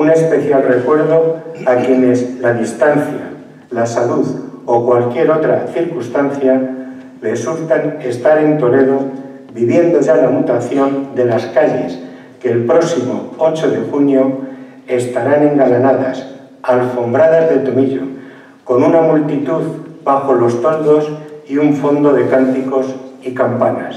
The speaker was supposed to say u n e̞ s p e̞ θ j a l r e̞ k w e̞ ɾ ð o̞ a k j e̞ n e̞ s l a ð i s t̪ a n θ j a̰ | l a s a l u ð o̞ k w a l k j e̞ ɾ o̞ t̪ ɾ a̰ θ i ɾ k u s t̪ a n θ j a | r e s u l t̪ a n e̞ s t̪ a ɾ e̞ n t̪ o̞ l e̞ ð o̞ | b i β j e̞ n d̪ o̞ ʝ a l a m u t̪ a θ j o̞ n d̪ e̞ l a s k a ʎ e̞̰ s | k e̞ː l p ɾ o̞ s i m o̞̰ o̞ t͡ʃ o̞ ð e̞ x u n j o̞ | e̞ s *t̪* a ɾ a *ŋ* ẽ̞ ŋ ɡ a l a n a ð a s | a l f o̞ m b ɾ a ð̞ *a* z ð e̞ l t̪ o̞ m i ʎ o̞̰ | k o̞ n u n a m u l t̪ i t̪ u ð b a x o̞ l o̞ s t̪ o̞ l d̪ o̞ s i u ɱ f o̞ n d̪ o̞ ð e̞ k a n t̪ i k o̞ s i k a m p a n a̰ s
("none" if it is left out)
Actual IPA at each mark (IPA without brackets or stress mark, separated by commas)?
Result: t̪, n, a